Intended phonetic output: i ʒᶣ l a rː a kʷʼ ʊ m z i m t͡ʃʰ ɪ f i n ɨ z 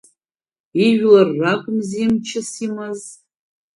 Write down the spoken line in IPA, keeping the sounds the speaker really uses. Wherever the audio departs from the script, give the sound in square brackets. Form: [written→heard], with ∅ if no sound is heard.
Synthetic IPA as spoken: i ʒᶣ l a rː a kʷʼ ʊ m z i m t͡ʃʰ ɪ [f→s] i [n→m] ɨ z